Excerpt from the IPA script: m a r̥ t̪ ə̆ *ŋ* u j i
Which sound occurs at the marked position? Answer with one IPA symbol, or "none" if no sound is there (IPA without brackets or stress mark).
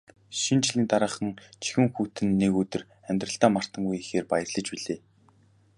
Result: ŋ